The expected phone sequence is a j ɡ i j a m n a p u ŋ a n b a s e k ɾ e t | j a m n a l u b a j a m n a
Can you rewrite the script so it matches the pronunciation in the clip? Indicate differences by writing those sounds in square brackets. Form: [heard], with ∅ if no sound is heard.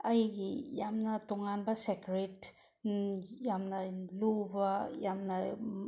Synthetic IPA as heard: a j ɡ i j a m n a [t] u ŋ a n b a s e k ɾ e t | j a m n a l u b a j a m n a